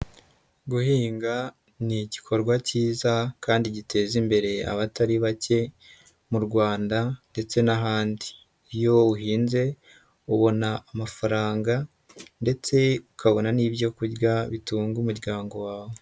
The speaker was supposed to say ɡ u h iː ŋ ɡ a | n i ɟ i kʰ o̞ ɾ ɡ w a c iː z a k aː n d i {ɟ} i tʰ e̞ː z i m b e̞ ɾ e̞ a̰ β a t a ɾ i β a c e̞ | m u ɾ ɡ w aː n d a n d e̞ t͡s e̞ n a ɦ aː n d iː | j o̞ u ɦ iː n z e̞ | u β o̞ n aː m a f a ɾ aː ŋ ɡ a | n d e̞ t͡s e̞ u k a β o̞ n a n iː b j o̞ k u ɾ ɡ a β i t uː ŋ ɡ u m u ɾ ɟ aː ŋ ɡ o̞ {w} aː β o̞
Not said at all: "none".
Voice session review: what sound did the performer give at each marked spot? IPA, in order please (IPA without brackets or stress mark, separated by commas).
ɟ, w